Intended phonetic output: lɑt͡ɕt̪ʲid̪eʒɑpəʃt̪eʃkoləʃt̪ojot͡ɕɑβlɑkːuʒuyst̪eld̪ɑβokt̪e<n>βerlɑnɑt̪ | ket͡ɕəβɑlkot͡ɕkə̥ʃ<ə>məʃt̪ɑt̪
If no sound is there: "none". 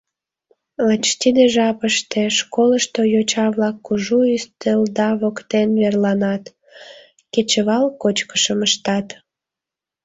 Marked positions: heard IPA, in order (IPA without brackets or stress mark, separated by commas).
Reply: n, ə